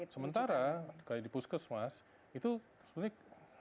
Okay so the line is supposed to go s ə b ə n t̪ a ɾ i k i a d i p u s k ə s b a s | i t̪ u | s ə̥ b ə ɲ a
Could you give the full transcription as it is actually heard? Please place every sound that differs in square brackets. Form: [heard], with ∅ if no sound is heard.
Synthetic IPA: s ə [m] ə n t̪ a ɾ [a] k [a] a d i p u s k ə s [m] a s | i t̪ u | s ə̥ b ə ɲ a